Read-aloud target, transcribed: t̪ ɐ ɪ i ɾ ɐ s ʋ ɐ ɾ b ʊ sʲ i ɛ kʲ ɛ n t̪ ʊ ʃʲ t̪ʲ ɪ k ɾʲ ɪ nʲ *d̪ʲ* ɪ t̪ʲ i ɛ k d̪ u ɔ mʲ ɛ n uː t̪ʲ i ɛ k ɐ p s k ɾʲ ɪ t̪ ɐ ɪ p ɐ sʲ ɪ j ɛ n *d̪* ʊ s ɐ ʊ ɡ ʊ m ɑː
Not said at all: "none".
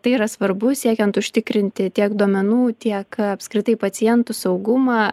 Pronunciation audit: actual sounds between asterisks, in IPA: t̪ʲ, t̪

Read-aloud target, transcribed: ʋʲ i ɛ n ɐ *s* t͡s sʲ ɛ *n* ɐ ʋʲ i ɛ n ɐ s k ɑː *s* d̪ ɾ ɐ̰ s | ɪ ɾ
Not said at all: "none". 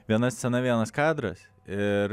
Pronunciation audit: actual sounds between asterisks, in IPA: s, n, none

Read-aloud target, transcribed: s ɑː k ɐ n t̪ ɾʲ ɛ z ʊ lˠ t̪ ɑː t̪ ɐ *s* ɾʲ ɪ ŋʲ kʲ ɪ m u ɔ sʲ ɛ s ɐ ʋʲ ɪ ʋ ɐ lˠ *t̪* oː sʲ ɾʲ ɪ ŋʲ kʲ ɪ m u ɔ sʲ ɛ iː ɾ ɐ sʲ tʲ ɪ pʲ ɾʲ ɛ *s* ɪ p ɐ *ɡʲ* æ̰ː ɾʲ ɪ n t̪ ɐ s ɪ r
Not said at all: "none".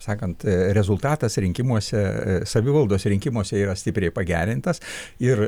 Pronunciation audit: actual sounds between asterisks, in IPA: s, d̪, none, ɡʲ

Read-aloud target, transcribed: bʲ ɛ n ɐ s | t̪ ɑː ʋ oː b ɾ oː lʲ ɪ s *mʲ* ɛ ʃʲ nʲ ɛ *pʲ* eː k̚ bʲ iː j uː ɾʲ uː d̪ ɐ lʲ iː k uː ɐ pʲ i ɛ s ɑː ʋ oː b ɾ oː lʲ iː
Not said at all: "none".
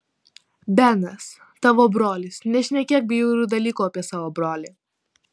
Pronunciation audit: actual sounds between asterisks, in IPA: nʲ, kʲ

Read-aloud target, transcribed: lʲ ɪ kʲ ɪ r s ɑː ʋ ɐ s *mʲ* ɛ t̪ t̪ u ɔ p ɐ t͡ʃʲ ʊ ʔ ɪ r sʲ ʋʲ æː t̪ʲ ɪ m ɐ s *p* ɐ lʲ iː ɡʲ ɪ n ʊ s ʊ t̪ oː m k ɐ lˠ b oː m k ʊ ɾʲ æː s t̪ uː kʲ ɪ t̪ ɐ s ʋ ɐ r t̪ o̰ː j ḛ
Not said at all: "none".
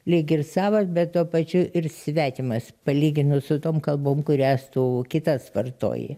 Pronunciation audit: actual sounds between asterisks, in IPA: bʲ, p

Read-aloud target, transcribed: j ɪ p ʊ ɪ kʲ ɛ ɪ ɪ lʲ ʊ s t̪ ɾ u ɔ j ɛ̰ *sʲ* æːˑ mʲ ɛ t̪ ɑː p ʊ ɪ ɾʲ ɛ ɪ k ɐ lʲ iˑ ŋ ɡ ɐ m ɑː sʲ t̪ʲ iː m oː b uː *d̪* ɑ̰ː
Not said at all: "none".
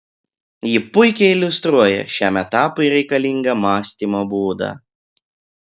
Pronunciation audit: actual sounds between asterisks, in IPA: ʃʲ, d̪

